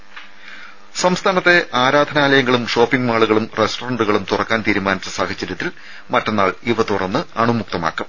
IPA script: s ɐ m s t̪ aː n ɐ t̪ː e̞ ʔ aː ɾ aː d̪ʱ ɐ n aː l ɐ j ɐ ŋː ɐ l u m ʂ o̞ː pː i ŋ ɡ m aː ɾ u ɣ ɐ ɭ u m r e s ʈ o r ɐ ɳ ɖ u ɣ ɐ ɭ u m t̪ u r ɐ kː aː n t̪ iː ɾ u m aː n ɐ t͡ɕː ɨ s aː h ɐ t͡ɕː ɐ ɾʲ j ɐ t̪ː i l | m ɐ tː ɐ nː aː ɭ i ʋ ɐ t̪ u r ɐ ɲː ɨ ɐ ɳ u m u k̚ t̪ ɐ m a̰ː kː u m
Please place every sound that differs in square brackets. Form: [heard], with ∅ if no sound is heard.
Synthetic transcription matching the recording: s ɐ m s [t̪ʰ] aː n ɐ t̪ː e̞ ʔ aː ɾ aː d̪ʱ ɐ n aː l ɐ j ɐ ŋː ɐ [ɭ] u m ʂ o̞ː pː i ŋ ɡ m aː [ɭ] u ɣ ɐ ɭ u m r e s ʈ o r ɐ ɳ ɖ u ɣ ɐ ɭ u m t̪ u r ɐ kː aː n t̪ iː ɾ u m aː n ɐ t͡ɕː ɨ s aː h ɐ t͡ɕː ɐ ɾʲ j ɐ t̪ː i l | m ɐ tː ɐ nː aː ɭ i ʋ ɐ t̪ u r ɐ [nː] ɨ ɐ ɳ u m u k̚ t̪ ɐ m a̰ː kː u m